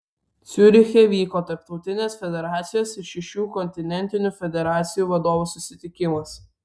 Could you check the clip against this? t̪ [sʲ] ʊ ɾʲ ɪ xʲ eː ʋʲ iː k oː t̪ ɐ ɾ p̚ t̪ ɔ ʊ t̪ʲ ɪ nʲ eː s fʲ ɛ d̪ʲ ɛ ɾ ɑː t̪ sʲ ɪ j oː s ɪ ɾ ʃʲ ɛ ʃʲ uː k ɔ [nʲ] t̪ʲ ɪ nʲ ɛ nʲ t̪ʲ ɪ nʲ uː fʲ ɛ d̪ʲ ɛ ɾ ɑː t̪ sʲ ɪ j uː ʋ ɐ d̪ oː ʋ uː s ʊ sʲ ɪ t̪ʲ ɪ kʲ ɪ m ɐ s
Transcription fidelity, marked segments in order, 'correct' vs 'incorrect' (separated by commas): correct, correct